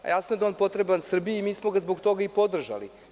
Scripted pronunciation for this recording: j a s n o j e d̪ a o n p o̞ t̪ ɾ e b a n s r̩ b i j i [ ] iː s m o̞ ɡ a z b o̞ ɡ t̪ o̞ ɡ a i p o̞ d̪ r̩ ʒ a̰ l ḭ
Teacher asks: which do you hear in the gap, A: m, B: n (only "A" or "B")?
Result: A